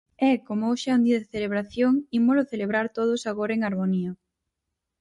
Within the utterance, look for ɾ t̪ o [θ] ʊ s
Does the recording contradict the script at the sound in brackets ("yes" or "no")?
yes